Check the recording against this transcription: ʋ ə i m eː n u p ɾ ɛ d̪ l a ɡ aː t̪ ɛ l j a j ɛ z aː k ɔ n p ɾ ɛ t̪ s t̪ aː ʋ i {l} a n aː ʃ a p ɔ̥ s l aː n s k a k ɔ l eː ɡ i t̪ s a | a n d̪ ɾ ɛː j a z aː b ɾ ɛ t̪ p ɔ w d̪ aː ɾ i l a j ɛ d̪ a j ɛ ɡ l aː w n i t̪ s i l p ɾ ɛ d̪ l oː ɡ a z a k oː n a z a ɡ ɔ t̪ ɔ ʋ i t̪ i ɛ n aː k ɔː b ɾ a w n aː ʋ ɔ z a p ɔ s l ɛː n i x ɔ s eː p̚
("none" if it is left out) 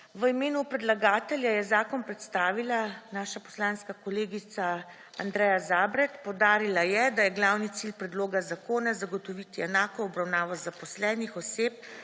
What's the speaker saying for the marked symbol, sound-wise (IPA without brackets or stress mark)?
l